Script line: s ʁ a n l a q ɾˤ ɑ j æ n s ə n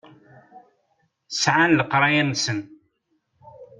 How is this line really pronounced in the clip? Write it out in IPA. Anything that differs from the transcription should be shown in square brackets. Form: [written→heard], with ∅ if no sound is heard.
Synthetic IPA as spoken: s [ʁ→ʕ] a n l [a→ə] q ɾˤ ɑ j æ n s ə n